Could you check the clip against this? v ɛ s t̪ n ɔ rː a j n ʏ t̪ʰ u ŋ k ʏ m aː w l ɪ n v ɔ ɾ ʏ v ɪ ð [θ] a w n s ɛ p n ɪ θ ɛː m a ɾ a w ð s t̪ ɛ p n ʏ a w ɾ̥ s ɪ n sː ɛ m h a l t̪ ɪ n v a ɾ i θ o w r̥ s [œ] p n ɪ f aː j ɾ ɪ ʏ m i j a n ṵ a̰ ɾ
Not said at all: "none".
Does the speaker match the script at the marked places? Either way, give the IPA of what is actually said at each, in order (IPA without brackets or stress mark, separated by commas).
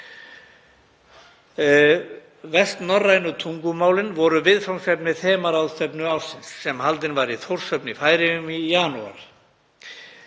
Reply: f, œ